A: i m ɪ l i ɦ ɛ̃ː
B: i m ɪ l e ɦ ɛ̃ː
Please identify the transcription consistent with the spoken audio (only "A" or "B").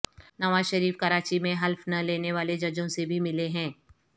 B